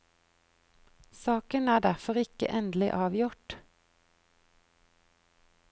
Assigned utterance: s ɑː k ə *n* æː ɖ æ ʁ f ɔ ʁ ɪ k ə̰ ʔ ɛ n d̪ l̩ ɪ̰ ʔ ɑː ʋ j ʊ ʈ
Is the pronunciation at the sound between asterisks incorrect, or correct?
correct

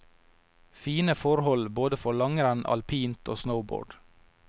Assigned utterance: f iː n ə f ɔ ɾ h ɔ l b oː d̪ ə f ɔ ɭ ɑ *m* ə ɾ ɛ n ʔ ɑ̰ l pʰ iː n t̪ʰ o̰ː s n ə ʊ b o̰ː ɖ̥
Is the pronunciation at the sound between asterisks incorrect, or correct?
incorrect: ŋ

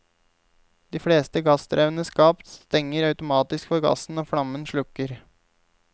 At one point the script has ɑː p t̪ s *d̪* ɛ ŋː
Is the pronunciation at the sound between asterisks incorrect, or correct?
incorrect: t̪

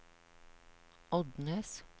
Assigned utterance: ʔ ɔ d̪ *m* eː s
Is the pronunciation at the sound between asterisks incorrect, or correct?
incorrect: n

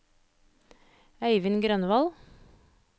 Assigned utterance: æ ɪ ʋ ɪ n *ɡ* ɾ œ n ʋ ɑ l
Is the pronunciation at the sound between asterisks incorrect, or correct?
correct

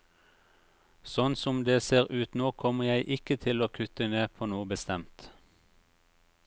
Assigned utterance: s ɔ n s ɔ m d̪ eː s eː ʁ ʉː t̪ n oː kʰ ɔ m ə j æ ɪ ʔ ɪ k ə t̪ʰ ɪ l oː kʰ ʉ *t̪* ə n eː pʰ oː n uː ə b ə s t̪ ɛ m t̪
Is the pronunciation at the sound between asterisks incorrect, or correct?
correct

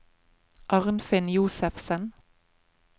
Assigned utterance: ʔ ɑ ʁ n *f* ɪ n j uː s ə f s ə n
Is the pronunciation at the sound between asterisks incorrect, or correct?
correct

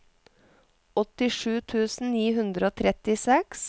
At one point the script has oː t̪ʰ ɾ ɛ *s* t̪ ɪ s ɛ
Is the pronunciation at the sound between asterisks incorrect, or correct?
incorrect: none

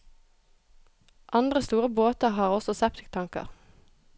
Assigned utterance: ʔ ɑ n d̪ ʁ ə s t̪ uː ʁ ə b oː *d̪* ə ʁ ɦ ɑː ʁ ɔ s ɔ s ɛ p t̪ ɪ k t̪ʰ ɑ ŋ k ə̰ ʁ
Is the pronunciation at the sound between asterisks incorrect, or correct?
incorrect: t̪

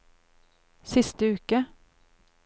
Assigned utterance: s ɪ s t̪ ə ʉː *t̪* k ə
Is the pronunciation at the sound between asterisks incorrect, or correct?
incorrect: none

